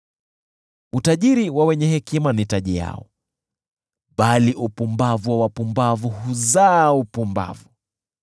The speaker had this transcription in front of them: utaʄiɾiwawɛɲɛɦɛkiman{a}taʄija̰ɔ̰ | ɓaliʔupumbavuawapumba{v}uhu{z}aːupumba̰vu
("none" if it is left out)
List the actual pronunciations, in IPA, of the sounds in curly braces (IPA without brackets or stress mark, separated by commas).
i, v, z